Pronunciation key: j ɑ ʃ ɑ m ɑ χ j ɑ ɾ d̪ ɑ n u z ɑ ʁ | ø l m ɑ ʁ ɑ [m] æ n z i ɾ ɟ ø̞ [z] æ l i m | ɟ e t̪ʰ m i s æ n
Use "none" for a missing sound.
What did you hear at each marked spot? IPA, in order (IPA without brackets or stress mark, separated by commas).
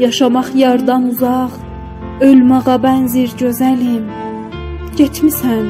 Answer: b, z